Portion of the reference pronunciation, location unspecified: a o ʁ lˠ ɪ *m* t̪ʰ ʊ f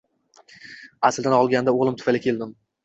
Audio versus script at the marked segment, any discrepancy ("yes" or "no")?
no